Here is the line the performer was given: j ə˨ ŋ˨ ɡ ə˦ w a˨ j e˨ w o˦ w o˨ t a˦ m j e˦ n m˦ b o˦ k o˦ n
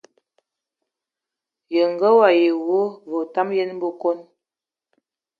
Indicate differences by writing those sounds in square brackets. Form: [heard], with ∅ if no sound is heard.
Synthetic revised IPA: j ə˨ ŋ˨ ɡ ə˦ w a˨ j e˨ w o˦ [v] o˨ t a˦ m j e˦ n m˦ b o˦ k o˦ n